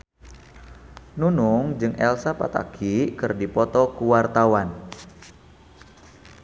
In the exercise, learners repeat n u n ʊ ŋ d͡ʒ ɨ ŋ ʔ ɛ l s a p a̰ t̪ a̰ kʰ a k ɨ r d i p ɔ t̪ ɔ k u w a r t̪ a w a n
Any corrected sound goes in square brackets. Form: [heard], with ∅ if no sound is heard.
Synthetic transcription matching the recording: n u n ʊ ŋ d͡ʒ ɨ ŋ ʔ ɛ l s a p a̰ t̪ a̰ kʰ [i] k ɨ r d i p ɔ t̪ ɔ k u w a r t̪ a w a n